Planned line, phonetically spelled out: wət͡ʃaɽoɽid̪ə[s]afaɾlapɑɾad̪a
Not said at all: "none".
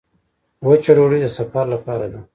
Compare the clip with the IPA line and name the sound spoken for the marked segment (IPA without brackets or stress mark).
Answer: s